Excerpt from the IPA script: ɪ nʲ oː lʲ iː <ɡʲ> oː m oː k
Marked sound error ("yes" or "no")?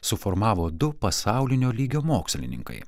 no